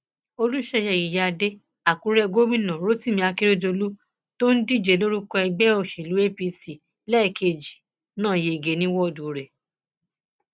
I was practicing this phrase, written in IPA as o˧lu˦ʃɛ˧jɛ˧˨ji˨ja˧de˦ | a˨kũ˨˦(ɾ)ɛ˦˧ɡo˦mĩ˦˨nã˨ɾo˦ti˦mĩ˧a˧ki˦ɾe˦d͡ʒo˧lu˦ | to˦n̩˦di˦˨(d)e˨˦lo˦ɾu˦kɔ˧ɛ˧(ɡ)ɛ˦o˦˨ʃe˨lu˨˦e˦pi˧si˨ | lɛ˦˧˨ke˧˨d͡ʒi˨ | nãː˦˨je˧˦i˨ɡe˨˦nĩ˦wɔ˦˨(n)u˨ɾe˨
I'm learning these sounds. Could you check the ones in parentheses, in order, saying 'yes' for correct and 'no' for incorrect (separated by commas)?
yes, no, no, no